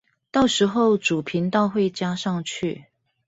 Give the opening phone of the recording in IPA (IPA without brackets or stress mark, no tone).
t̪